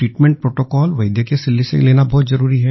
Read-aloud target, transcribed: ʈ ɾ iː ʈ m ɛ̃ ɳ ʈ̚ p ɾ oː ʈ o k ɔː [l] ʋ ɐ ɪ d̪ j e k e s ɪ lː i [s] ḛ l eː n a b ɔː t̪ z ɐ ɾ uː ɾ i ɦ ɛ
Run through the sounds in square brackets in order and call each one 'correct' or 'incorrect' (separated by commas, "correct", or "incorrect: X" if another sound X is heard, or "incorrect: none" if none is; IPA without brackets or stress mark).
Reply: correct, correct